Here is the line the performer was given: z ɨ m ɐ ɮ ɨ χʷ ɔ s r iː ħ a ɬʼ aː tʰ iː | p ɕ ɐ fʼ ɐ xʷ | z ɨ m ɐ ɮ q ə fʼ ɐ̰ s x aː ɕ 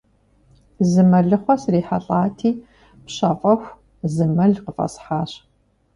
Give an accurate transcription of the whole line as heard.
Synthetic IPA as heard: z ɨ m ɐ ɮ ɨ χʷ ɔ s r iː ħ a ɬʼ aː tʰ iː | p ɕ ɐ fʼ ɐ xʷ | z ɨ m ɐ ɮ q ə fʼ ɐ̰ s ħ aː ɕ